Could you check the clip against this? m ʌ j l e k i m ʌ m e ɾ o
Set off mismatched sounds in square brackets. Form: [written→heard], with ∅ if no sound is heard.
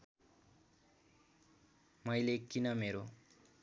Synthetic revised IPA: m ʌ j l e k i [m→n] ʌ m e ɾ o